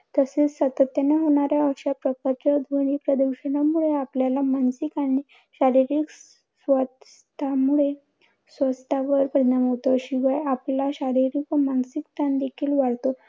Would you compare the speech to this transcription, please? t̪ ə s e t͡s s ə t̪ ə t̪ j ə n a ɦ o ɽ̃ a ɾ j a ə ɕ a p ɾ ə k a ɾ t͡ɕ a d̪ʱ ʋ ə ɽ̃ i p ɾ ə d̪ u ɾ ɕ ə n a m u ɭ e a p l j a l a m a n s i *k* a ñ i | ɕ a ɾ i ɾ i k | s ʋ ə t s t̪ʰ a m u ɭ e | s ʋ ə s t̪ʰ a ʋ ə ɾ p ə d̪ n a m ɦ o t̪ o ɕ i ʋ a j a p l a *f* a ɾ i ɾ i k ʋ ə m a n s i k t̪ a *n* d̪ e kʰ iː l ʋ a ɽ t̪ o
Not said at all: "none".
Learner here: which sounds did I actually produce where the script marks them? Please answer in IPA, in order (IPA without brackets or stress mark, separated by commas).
k, ɕ, n